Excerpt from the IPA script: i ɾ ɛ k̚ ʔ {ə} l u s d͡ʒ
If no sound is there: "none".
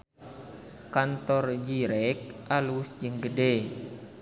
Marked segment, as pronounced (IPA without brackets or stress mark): a